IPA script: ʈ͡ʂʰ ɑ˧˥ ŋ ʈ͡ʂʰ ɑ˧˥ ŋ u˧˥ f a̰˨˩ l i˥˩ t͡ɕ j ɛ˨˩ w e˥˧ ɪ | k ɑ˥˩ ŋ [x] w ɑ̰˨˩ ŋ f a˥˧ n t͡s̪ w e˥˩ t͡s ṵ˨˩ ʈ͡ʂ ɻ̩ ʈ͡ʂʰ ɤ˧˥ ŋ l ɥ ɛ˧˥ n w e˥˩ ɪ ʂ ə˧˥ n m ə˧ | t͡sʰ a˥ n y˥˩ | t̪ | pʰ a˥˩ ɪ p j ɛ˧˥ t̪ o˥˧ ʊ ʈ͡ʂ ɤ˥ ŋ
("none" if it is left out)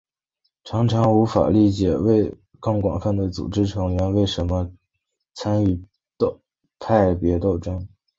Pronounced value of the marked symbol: k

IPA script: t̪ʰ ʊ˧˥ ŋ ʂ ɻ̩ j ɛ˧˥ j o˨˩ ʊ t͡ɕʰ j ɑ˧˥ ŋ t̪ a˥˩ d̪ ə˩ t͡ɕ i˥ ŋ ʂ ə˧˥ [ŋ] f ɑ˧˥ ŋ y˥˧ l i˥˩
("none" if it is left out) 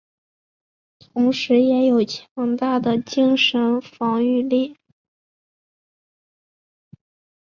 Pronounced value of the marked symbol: n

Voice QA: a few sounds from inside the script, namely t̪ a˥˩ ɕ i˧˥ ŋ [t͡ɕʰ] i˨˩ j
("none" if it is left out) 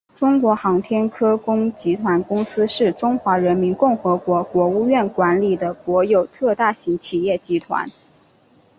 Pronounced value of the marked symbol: t͡ɕʰ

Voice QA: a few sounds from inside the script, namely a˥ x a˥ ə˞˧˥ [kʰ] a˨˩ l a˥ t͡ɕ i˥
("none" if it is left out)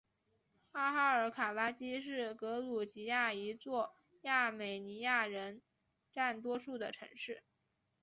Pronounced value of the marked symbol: kʰ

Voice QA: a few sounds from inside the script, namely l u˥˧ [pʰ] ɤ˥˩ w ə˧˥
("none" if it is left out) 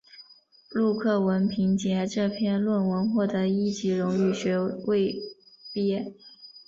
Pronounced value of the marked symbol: kʰ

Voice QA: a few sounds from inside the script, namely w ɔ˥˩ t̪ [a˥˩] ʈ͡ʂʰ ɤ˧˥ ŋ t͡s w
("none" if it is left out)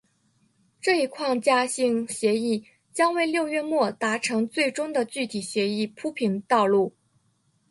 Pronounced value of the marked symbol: a˧˥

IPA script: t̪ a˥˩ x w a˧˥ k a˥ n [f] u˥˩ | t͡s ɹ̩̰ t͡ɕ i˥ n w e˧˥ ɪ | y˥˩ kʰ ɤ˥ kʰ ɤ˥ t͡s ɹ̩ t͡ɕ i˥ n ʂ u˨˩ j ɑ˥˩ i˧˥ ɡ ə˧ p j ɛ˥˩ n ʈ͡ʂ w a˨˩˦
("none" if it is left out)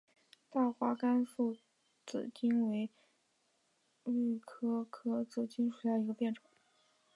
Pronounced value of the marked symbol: f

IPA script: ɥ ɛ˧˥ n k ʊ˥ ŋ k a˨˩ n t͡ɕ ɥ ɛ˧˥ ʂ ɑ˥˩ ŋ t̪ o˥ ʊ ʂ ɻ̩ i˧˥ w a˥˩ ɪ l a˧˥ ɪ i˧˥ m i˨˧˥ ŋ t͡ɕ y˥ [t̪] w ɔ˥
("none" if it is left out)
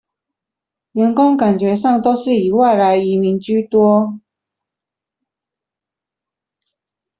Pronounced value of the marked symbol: t̪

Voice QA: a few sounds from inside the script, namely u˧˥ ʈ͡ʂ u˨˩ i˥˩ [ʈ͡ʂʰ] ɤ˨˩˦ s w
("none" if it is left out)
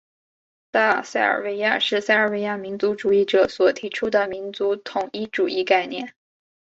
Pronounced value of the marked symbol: ʈ͡ʂ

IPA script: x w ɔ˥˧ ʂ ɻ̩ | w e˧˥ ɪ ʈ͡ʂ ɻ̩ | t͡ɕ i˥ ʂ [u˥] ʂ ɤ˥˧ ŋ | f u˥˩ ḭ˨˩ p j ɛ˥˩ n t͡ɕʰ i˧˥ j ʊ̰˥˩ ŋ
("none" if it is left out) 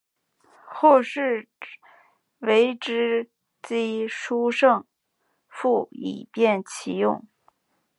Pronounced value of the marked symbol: u˥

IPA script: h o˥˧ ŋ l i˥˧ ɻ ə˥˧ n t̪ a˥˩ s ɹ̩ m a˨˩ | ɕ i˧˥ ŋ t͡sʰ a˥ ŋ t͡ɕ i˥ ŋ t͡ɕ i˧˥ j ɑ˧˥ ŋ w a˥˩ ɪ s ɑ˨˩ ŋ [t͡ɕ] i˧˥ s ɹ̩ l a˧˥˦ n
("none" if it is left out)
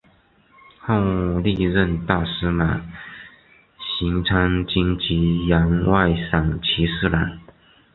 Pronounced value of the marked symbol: t͡ɕʰ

